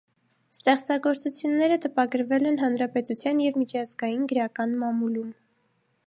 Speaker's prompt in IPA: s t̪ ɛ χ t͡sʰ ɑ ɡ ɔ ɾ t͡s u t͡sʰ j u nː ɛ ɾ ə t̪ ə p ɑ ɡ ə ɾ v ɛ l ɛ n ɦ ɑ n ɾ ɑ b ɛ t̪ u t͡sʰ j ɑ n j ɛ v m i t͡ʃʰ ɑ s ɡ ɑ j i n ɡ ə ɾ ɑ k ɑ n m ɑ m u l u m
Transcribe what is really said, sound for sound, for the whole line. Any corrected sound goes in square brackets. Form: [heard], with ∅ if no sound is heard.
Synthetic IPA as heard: s t̪ ɛ χ [t͡s] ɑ ɡ ɔ ɾ t͡s u t͡sʰ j u nː ɛ ɾ ə t̪ ə p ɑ ɡ ə ɾ v ɛ l ɛ n ɦ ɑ n ɾ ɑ [p] ɛ t̪ u t͡sʰ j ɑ n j ɛ v m i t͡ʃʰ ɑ [z] ɡ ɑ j i n ɡ ə ɾ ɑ k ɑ n m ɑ m u l u m